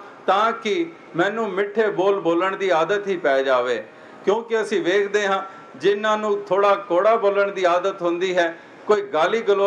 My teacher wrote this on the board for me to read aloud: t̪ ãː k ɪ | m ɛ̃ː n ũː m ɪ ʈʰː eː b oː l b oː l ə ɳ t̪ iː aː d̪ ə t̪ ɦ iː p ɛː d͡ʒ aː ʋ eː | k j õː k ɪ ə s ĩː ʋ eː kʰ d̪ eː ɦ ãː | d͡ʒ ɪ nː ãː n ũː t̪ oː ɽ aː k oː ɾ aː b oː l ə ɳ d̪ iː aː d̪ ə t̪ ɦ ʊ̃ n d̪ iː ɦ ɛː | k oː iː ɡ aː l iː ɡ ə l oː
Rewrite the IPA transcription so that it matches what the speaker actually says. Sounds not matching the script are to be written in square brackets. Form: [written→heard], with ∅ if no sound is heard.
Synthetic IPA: t̪ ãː k ɪ | m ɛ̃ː n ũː m ɪ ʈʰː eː b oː l b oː l ə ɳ [t̪→d̪] iː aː d̪ ə t̪ ɦ iː p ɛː d͡ʒ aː ʋ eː | k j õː k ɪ ə s ĩː ʋ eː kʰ d̪ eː ɦ ãː | d͡ʒ ɪ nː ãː n ũː [t̪→t̪ʰ] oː ɽ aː k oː [ɾ→ɽ] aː b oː l ə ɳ d̪ iː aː d̪ ə t̪ ɦ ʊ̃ n d̪ iː ɦ ɛː | k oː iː ɡ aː l iː ɡ ə l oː